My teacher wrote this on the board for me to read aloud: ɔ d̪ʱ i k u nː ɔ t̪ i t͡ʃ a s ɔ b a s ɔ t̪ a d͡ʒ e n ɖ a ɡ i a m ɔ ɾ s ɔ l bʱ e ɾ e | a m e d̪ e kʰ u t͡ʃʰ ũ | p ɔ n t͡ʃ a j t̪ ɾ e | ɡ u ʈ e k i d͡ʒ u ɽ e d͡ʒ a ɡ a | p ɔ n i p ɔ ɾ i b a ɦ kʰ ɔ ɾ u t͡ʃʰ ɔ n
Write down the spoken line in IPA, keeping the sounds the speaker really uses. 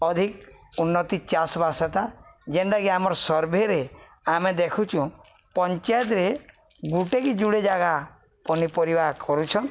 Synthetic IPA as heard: ɔ d̪ʱ i k u nː ɔ t̪ i t͡ʃ a s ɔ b a s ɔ t̪ a d͡ʒ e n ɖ a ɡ i a m ɔ ɾ s ɔ ɾ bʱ e ɾ e | a m e d̪ e kʰ u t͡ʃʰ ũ | p ɔ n t͡ʃ a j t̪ ɾ e | ɡ u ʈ e k i d͡ʒ u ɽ e d͡ʒ a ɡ a | p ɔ n i p ɔ ɾ i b a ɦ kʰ ɔ ɾ u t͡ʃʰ ɔ n